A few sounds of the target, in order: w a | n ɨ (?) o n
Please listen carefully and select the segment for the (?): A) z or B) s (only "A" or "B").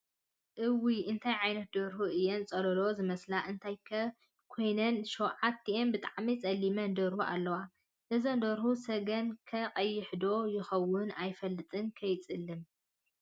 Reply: A